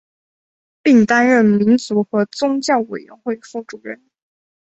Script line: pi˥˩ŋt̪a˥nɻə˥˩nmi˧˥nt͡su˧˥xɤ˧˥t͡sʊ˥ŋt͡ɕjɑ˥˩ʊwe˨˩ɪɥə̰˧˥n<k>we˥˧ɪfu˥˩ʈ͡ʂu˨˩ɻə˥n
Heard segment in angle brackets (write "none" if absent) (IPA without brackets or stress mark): x